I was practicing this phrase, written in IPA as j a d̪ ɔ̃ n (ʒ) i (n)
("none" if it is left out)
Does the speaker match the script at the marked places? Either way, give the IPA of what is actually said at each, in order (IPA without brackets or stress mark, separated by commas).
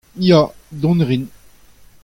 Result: ʁ, n